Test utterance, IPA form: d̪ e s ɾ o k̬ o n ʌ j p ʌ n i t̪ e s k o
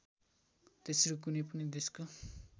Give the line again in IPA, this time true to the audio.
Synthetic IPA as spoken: t̪ e s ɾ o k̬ u n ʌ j p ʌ n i d̪ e s k o